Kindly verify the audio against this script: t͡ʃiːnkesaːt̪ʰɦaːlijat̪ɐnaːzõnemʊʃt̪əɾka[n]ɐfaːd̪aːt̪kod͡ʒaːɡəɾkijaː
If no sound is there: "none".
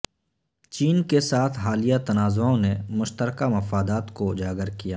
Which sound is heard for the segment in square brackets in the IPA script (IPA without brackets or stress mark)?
m